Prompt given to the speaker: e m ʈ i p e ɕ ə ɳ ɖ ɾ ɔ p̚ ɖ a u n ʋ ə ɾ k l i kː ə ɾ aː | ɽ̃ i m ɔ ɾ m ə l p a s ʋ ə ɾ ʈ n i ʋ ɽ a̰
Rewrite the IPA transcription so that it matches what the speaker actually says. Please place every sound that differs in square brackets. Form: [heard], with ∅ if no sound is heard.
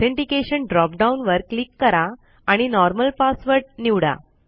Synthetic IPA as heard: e [ɳ] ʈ i [k] e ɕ ə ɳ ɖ ɾ ɔ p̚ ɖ a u n ʋ ə ɾ k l i kː ə ɾ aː | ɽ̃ i [n] ɔ ɾ m ə l p a s ʋ ə ɾ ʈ n i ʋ ɽ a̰